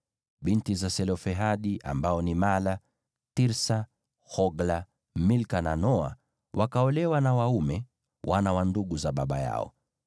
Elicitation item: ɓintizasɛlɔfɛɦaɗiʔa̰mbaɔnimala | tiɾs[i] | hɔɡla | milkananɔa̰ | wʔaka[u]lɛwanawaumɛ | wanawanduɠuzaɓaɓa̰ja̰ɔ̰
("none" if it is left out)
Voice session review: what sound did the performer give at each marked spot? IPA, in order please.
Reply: a, ɔ

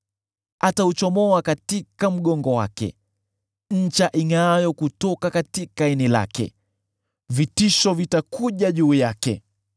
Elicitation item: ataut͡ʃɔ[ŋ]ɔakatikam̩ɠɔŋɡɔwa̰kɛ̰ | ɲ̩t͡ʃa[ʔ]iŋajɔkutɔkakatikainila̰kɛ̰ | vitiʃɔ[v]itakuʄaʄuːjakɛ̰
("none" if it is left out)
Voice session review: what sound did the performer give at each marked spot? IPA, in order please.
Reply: m, ʔ, v

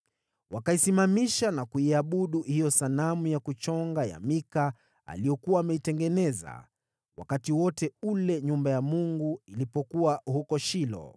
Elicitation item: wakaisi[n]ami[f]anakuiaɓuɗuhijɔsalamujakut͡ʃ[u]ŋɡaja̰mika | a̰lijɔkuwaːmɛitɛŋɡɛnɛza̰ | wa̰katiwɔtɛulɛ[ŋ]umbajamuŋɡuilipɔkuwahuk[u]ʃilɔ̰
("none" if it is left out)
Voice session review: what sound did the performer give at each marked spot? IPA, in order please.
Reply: m, ʃ, ɔ, ɲ, ɔ

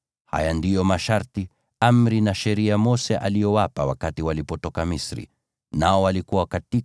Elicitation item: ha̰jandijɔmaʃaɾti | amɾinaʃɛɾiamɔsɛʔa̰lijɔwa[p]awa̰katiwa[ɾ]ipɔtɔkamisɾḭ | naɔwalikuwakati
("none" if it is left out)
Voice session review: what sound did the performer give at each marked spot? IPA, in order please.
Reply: p, l

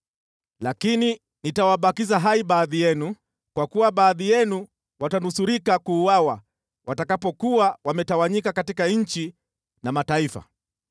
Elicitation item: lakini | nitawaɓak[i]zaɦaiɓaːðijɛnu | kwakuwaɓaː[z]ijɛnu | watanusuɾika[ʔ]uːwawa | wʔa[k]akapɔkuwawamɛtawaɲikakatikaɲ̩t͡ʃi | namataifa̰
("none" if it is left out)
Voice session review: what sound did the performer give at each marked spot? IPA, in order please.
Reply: i, ð, k, t

